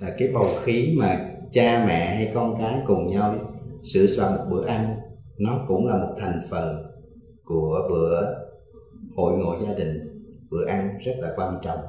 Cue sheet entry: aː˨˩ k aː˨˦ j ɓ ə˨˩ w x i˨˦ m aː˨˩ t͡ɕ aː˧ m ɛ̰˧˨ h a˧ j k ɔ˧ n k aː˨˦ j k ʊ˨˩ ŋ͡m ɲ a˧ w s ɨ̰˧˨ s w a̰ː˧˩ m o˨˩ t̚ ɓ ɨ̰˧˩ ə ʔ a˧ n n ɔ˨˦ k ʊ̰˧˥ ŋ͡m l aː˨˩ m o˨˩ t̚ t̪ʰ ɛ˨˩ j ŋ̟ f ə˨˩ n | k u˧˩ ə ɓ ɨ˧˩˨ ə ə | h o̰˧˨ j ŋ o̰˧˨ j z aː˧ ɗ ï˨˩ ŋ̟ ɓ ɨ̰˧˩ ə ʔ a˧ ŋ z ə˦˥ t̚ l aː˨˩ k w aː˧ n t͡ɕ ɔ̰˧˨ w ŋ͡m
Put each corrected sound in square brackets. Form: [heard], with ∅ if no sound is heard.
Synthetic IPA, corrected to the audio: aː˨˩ k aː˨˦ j ɓ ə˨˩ w x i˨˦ m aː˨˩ t͡ɕ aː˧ m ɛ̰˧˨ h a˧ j k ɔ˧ n k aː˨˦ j k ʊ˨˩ ŋ͡m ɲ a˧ w s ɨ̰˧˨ s w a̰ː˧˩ m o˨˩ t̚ ɓ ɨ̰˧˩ ə ʔ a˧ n n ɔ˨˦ k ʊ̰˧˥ ŋ͡m l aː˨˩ m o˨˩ t̚ t̪ʰ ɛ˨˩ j ŋ̟ f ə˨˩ n | k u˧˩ ə ɓ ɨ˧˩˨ ə ə | h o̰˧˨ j ŋ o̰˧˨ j z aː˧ ɗ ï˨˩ ŋ̟ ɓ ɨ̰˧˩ ə ʔ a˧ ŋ z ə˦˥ t̚ l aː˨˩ k w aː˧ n t͡ɕ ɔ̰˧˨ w ŋ͡m